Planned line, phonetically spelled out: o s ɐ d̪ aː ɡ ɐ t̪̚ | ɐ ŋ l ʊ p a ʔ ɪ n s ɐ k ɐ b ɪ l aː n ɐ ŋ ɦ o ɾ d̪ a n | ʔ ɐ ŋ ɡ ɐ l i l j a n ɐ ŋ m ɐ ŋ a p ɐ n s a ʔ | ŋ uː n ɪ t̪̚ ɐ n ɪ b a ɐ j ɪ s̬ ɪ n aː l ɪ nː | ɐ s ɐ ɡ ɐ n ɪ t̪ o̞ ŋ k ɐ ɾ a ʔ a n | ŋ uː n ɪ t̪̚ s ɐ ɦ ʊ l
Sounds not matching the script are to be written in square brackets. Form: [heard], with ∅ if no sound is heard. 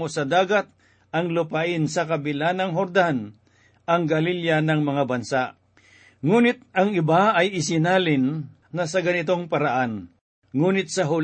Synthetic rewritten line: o s ɐ d̪ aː ɡ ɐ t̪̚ | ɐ ŋ l ʊ p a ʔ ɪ n s ɐ k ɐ b ɪ l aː n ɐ ŋ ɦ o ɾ d̪ a n | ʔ ɐ ŋ ɡ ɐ l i l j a n ɐ ŋ m ɐ ŋ a [b] ɐ n s a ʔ | ŋ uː n ɪ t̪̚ ɐ [ŋ] ɪ b a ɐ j ɪ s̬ ɪ n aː l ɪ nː | ɐ s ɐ ɡ ɐ n ɪ t̪ o̞ ŋ [p] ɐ ɾ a ʔ a n | ŋ uː n ɪ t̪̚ s ɐ ɦ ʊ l